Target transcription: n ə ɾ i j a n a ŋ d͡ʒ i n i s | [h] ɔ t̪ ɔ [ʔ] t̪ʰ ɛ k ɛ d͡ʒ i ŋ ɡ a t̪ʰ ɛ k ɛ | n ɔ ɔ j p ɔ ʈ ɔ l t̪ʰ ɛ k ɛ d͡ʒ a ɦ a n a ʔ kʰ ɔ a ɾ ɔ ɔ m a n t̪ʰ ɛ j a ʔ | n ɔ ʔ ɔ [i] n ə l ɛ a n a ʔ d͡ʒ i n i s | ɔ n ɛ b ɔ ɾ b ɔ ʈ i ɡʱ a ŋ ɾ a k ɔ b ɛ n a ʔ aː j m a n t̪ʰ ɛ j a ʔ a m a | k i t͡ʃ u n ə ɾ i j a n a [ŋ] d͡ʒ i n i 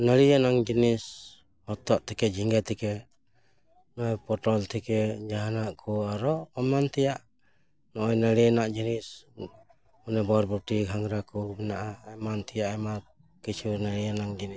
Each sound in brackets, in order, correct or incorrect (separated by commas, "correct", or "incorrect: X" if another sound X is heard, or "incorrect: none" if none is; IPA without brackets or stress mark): correct, correct, incorrect: j, correct